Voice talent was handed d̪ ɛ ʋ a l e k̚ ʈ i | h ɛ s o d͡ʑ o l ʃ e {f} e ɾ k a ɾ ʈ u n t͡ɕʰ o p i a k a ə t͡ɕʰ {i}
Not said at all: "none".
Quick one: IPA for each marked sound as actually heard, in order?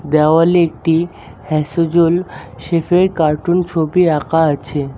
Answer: f, e

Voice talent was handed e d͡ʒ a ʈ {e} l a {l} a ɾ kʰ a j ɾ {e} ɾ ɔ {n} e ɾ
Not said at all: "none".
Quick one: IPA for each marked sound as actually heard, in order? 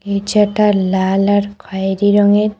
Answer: a, l, i, ŋ

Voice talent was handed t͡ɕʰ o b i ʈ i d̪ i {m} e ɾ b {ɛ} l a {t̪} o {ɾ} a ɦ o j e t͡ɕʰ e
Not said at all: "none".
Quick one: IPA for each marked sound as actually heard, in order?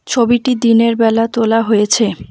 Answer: n, ɛ, t̪, l

